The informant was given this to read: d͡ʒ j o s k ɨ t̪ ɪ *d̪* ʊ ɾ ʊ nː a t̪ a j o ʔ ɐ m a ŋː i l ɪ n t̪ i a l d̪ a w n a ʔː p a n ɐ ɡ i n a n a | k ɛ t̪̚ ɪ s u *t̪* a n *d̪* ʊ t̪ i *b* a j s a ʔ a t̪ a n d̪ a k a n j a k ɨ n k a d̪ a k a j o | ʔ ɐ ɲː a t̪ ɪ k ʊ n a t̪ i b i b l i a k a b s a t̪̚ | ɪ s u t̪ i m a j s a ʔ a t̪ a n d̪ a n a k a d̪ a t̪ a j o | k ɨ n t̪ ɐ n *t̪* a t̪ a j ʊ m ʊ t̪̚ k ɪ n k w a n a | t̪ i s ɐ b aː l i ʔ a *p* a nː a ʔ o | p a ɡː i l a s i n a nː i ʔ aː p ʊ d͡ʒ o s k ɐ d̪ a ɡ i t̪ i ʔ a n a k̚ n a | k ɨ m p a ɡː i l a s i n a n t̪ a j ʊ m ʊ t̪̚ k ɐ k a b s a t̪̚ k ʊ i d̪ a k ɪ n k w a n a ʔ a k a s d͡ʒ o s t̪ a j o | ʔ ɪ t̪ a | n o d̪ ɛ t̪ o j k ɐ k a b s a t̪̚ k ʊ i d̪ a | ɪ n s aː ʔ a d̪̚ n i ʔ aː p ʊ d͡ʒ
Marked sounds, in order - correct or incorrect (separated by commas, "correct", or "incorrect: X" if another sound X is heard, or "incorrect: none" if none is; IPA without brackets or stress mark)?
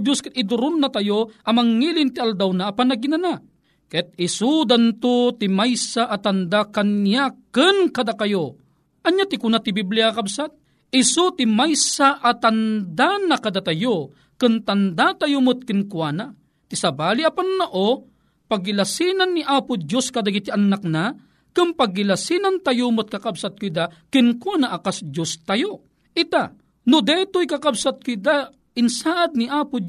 correct, incorrect: d̪, incorrect: t̪, incorrect: m, incorrect: d̪, correct